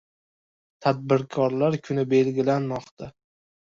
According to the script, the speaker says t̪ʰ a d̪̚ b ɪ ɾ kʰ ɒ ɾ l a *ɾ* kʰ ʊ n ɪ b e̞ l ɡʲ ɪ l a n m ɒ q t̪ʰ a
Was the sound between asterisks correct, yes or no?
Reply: yes